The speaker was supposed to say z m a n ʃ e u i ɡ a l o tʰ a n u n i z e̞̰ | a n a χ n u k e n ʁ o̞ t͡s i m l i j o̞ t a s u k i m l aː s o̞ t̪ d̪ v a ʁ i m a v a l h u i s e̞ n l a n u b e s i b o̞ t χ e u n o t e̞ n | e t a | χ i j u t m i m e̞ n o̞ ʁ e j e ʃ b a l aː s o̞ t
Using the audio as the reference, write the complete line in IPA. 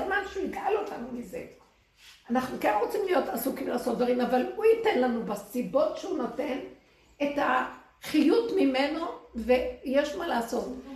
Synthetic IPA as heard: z m a n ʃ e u i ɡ a l o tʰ a n u m i z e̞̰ | a n a χ n u k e n ʁ o̞ t͡s i m l i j o̞ t a s u k i m l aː s o̞ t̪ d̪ v a ʁ i m a v a l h u i t e̞ n l a n u b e s i b o̞ t ʃ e u n o t e̞ n | e t a | χ i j u t m i m e̞ n o̞ v e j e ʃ m a l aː s o̞ t